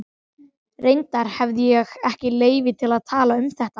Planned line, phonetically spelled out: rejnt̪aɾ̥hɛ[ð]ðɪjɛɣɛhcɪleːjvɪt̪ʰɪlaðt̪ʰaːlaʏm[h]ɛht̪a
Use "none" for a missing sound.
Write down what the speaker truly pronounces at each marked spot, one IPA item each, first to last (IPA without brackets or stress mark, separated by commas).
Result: v, θ